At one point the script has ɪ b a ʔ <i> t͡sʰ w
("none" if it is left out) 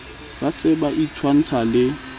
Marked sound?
i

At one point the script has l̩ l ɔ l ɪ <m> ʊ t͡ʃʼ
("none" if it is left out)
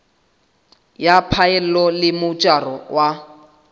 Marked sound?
m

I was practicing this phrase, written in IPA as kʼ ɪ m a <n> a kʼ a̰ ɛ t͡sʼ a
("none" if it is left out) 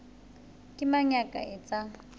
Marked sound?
ɲ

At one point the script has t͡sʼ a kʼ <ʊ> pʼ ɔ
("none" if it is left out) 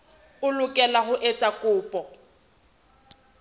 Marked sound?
ʊː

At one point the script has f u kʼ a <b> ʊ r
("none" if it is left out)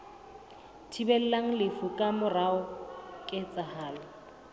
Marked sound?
m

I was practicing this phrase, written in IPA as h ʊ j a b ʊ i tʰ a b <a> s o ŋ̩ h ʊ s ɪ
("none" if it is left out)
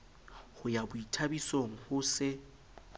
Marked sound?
i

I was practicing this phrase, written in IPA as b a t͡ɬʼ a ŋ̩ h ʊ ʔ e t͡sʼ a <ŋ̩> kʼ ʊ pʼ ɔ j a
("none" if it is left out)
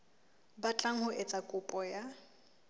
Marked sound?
none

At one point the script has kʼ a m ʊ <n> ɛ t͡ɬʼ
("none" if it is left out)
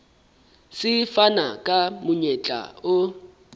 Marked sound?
ɲ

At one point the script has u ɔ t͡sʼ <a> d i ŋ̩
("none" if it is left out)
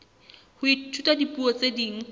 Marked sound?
e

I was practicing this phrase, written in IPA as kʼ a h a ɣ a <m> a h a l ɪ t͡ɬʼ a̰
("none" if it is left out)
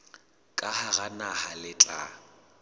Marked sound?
n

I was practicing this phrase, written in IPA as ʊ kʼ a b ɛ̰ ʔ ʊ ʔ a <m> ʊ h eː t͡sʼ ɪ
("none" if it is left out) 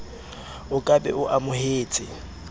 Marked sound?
m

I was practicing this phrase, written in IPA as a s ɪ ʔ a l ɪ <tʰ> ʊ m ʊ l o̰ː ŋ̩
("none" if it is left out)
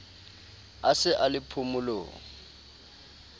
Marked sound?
pʰ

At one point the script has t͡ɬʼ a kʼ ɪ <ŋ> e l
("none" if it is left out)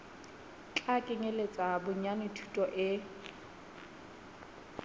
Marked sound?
ŋ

